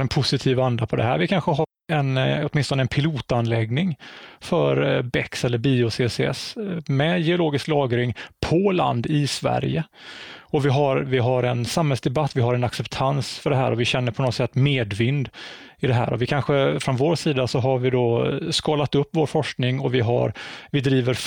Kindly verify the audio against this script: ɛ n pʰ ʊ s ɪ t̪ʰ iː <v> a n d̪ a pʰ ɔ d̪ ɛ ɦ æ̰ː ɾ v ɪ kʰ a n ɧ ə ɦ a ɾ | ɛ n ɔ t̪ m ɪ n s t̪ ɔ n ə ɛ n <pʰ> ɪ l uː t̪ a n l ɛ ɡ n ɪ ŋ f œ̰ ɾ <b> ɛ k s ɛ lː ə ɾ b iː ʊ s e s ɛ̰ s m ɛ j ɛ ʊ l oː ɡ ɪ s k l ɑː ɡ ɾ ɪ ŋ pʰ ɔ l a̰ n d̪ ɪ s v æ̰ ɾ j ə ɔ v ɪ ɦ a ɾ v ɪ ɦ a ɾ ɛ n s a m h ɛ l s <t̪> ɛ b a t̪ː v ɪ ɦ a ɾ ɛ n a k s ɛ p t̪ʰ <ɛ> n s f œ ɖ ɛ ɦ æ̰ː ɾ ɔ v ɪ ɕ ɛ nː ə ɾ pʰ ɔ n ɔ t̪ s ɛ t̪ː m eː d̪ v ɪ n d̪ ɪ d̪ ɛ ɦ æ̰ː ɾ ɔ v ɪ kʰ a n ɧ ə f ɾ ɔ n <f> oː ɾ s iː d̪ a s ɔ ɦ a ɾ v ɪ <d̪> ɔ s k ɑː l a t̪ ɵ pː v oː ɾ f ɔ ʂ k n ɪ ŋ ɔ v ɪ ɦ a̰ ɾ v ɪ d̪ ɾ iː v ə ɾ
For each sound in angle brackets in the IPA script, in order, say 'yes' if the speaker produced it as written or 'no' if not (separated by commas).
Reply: yes, yes, yes, no, no, no, yes